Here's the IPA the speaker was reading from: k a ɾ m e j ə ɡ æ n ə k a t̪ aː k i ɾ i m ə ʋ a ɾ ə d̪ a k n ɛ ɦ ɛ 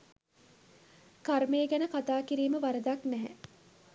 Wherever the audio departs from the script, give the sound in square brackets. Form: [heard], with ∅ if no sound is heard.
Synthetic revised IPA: k a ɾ m e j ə ɡ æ n ə k a t̪ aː k i ɾ [iː] m ə ʋ a ɾ ə d̪ a k n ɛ ɦ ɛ

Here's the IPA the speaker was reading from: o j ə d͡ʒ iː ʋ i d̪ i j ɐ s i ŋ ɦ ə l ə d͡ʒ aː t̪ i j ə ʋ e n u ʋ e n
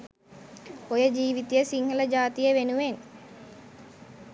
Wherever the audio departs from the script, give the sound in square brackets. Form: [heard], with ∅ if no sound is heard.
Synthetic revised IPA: o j ə d͡ʒ iː ʋ i [t̪] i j [ə] s i ŋ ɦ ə l ə d͡ʒ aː t̪ i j ə ʋ e n u ʋ e n

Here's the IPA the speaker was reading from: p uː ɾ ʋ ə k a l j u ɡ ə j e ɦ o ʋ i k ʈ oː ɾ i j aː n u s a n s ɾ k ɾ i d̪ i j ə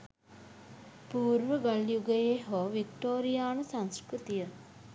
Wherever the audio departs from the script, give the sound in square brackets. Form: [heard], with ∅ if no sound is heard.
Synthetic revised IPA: p uː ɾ ʋ ə [ɡ] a l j u ɡ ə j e ɦ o ʋ i k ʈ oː ɾ i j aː n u s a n s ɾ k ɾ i [t̪] i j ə

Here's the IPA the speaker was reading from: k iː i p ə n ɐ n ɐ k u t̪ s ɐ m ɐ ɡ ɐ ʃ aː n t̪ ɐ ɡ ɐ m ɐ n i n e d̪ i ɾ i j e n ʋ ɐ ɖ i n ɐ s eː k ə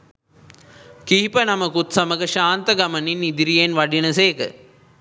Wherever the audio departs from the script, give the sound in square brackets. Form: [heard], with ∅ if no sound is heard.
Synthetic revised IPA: k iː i p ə n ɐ [m] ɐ k u t̪ s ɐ m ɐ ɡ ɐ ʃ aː n t̪ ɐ ɡ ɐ m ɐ n i n [i] d̪ i ɾ i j e n ʋ ɐ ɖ i n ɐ s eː k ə

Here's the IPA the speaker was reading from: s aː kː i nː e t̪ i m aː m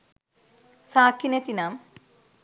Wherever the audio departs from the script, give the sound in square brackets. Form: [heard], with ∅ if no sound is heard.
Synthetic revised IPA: s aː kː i [n] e t̪ i [n] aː m

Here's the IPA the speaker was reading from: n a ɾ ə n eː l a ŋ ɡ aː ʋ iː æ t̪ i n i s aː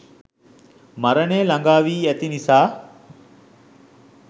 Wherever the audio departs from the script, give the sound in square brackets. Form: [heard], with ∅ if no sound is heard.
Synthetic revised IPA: [m] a ɾ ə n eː l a ŋ ɡ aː ʋ iː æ t̪ i n i s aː

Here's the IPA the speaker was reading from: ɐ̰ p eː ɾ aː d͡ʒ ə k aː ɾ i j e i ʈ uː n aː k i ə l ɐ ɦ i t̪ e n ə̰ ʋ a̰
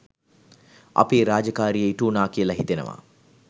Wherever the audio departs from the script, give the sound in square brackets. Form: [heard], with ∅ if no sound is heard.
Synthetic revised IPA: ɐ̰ p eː ɾ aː d͡ʒ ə k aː ɾ i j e i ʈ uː n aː k i ə l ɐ ɦ i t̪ e n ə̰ ʋ a̰

